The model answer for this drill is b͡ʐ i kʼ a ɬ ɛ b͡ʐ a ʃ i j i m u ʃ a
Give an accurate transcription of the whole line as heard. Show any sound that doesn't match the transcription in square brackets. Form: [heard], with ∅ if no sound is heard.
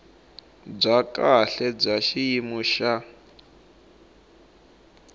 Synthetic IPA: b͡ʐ [a] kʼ a ɬ ɛ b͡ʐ a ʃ i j i m u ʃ a